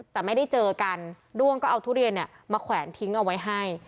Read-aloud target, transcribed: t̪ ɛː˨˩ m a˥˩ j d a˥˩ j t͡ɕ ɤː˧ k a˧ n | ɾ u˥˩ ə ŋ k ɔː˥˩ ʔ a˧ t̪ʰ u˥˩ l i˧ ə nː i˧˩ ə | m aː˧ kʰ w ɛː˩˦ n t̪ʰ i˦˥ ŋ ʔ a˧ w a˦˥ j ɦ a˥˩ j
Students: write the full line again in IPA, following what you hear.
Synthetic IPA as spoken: t̪ ɛː˨˩ m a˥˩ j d a˥˩ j t͡ɕ ɤː˧ k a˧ n | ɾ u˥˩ ə ŋ k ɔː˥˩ ʔ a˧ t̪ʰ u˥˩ ɾ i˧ ə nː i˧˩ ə | m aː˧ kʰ w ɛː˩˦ n t̪ʰ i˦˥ ŋ ʔ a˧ w a˦˥ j ɦ a˥˩ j